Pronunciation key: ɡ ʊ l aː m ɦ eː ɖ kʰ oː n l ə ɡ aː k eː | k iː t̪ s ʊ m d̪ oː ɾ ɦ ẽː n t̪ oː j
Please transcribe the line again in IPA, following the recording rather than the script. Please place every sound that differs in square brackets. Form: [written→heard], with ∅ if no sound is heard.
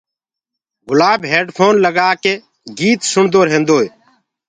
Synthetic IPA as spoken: ɡ ʊ l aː [m→b] ɦ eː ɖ [kʰ→pʰ] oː n l ə ɡ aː k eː | [k→ɡ] iː t̪ s ʊ [m→ɳ] d̪ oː ɾ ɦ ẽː n [t̪→d̪] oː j